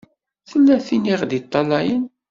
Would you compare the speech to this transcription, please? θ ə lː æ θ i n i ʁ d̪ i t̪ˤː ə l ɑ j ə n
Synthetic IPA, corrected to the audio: θ ə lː æ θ i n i ʁ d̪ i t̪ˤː ɑ l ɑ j ə n